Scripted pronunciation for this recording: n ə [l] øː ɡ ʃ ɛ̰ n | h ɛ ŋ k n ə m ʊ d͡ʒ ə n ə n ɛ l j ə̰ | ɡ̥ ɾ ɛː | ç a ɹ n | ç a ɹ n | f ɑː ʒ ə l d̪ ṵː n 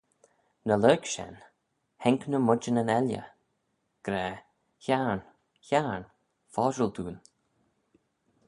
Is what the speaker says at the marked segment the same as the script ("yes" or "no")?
yes